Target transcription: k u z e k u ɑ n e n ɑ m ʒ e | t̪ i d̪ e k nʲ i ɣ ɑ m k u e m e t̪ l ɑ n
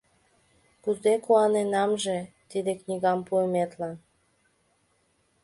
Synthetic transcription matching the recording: k u z e k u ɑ n e n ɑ m ʒ e | t̪ i d̪ e k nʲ i ɣ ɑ m p u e m e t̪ l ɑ n

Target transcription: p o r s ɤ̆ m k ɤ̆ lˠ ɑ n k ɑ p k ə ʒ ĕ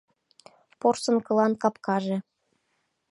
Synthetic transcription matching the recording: p o r s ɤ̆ n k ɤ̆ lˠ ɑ n k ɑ p k ɑ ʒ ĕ

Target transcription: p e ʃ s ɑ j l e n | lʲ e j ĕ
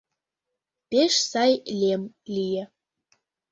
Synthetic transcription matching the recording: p e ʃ s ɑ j l e m | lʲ i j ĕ

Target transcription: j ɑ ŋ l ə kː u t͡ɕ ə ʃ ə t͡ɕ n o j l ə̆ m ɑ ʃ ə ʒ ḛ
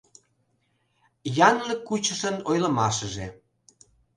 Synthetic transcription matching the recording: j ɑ n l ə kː u t͡ɕ ə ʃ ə n o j l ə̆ m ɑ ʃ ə ʒ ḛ

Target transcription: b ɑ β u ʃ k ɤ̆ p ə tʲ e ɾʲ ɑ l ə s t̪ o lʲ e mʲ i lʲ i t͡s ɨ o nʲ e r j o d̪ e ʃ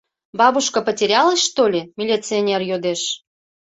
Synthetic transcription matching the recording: b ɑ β u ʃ k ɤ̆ p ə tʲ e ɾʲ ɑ l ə ʃ t̪ o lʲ e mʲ i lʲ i t͡s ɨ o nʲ e r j o d̪ e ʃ

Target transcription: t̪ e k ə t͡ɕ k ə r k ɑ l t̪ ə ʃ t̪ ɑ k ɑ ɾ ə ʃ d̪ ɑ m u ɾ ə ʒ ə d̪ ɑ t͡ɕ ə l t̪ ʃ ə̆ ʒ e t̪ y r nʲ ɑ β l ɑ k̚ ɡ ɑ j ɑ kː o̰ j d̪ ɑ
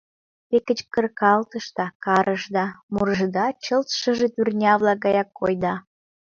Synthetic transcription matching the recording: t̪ e k ə t͡ɕ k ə r k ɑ l t̪ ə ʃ t̪ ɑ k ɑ ɾ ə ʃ d̪ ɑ m u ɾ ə ʒ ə d̪ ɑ t͡ɕ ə l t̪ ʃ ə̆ ʒ e t̪ y r nʲ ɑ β l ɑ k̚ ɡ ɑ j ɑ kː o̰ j d̪ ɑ

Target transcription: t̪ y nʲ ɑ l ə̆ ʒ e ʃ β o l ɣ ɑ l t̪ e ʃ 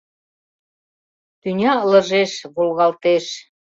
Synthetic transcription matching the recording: t̪ y nʲ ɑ l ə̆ ʒ e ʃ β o l ɣ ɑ l t̪ e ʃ

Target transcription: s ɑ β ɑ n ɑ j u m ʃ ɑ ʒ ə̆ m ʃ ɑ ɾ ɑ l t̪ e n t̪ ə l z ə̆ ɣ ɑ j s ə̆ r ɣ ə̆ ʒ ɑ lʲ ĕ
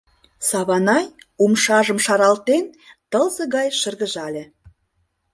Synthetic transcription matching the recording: s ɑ β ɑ n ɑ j u m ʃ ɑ ʒ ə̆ m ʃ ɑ ɾ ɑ l t̪ e n t̪ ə l z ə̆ ɣ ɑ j ʃ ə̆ r ɣ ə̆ ʒ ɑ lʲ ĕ

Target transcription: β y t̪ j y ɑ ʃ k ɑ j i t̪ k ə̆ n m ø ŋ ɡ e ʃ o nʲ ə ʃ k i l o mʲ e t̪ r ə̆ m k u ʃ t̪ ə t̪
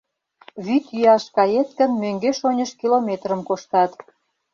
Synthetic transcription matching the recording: β y t̪ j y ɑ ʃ k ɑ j e t̪ k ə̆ n m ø ŋ ɡ e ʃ o nʲ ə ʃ k i l o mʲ e t̪ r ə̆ m k o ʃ t̪ ɑ t̪

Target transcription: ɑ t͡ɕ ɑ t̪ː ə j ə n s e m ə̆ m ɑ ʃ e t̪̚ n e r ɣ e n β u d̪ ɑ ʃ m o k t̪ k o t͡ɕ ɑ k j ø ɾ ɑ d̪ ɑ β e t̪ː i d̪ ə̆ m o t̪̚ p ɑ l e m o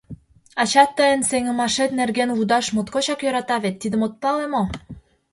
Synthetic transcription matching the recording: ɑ t͡ɕ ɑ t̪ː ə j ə n s e ŋ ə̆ m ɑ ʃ e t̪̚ n e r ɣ e n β u d̪ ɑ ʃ m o t̪ k o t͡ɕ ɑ k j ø ɾ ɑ t̪ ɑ β e t̪ː i d̪ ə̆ m o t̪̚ p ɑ l e m o

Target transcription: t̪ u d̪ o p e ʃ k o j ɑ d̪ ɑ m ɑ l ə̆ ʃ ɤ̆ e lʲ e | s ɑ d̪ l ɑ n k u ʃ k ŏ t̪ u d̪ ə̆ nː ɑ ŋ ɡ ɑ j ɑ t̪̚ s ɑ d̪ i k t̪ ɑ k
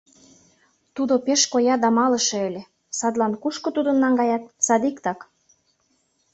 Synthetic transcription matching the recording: t̪ u d̪ o p e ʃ k o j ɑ d̪ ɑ m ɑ l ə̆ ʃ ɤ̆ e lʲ e | s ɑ d̪ l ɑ n k u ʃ k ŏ t̪ u d̪ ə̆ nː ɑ ŋ ɡ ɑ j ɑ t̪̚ s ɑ d̪ i k t̪ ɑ k

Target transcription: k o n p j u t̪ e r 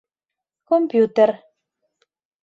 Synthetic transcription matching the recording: k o m p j u t̪ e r

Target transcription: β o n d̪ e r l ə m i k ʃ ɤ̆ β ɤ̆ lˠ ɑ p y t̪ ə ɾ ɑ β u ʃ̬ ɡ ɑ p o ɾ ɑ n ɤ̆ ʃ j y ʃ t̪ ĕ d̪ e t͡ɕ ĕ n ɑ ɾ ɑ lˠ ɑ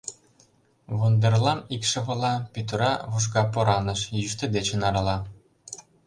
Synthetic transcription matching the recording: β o n d̪ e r l ɑ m i k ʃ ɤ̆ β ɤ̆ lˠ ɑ p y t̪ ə ɾ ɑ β u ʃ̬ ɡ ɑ p o ɾ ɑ n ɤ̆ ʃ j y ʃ t̪ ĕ d̪ e t͡ɕ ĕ n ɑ ɾ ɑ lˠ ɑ

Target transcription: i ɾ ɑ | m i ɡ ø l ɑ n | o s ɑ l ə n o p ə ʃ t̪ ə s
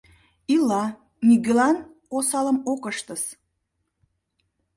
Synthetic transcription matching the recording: i l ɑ | n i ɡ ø l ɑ n | o s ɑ l ə m o k ə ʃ t̪ ə s

